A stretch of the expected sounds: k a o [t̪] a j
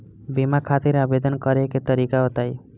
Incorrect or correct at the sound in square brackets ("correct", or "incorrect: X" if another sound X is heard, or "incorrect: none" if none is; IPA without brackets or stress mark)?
correct